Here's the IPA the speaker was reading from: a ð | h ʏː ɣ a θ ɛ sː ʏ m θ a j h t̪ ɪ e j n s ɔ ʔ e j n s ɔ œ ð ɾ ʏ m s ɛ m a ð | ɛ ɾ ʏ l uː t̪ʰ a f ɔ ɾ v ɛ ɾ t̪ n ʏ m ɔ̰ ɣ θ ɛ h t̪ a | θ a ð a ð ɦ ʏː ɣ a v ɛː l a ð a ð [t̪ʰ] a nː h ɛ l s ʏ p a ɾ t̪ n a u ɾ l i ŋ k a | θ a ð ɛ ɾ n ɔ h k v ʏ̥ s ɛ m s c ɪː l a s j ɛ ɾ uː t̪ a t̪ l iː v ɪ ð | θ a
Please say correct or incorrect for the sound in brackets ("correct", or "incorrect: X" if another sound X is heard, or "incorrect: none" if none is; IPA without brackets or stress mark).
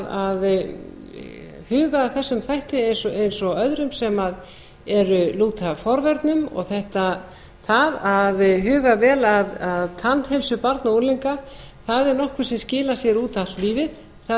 correct